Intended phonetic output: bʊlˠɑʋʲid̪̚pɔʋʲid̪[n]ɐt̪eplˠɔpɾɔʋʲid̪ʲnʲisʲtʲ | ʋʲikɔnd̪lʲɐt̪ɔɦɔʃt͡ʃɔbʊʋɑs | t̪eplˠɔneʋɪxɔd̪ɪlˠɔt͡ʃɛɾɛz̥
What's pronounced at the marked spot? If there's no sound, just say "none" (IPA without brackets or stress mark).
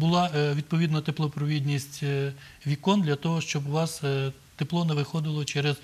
n